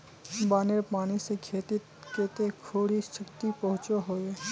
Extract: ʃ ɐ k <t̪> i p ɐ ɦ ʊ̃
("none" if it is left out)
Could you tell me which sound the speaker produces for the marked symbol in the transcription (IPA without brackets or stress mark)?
t̪